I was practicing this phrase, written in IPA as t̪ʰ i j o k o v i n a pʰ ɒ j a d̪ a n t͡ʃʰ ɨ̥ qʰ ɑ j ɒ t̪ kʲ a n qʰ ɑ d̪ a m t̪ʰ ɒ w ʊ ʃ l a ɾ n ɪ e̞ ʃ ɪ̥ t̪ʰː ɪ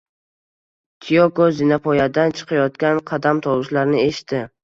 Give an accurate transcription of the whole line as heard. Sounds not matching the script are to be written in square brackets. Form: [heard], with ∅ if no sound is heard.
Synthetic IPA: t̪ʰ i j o k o [z] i n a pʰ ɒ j a d̪ a n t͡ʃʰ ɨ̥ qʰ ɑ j ɒ t̪ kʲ a n qʰ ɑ d̪ a m t̪ʰ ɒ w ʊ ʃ l a ɾ n ɪ e̞ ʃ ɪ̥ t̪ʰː ɪ